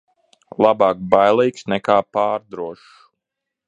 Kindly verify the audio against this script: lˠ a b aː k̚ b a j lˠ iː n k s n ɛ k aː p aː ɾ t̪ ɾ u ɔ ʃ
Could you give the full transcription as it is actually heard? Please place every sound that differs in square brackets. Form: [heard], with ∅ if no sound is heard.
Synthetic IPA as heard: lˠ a b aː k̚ b a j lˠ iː [∅] k s n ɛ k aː p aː ɾ [d̪] ɾ u ɔ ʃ